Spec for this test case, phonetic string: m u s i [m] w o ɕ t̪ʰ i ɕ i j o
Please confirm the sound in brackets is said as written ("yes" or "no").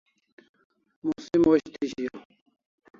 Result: yes